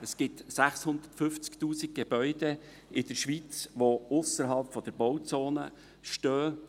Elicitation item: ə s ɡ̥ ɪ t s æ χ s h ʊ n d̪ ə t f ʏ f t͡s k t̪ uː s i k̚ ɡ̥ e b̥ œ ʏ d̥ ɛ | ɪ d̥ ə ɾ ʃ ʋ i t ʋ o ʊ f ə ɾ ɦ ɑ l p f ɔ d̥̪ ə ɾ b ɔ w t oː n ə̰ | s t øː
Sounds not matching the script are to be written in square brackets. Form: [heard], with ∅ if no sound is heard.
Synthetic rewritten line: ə s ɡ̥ ɪ t s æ χ s h ʊ n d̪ ə t f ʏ f t͡s k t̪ uː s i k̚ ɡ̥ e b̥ œ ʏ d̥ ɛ | ɪ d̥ ə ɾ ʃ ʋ i [t͡s] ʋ o ʊ [s] ə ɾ ɦ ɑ l p f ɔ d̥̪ ə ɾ b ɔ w [t͡s] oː n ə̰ | [ʃ] t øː